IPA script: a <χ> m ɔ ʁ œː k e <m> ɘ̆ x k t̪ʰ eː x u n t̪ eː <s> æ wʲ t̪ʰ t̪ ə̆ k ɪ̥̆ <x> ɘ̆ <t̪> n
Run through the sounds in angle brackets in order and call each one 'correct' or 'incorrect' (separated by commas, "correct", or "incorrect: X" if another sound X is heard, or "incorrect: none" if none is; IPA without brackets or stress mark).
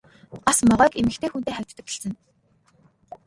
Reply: incorrect: s, correct, incorrect: χ, incorrect: s, incorrect: none